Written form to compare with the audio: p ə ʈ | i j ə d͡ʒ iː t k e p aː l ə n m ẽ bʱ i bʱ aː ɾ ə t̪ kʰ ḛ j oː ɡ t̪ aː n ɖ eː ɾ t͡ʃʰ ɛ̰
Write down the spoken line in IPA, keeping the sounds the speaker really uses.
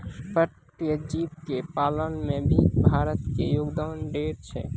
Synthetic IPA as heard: p ə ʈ | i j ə d͡ʒ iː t k e p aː l ə n m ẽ bʱ i bʱ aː ɾ ə t̪ k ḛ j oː ɡ d̪ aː n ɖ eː ɾ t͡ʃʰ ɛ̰